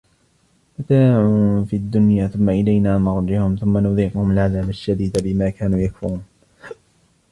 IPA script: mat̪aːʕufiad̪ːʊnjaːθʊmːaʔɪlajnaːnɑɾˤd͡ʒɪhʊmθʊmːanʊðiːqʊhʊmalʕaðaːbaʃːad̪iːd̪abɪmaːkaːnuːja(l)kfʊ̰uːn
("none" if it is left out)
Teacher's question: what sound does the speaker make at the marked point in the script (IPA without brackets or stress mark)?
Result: none